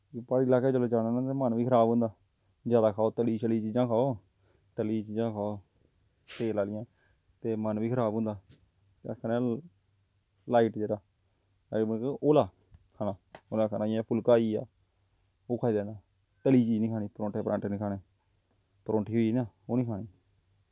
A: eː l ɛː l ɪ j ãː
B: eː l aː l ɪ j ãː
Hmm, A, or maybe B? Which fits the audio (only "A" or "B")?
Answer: B